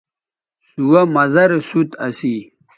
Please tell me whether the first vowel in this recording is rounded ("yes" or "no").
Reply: yes